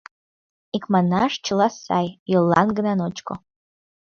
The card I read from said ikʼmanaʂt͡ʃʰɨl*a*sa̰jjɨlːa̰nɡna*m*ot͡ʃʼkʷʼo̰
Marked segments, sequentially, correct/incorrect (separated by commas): correct, incorrect